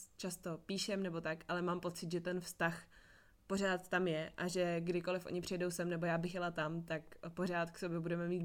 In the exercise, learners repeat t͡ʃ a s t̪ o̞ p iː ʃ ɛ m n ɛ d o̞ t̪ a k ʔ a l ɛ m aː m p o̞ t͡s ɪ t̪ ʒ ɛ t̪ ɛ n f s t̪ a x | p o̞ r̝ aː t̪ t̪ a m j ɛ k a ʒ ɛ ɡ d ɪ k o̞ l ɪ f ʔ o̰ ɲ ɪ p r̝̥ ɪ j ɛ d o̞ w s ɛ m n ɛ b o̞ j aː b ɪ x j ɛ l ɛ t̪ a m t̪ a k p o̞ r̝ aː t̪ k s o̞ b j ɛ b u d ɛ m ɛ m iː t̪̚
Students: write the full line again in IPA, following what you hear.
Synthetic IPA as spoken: t͡ʃ a s t̪ o̞ p iː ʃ ɛ m n ɛ b o̞ t̪ a k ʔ a l ɛ m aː m p o̞ t͡s ɪ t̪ ʒ ɛ t̪ ɛ n f s t̪ a x | p o̞ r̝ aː t̪ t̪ a m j ɛ ʔ a ʒ ɛ ɡ d ɪ k o̞ l ɪ f ʔ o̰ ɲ ɪ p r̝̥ ɪ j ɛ d o̞ w s ɛ m n ɛ b o̞ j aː b ɪ x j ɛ l a t̪ a m t̪ a k p o̞ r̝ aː t̪ k s o̞ b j ɛ b u d ɛ m ɛ m iː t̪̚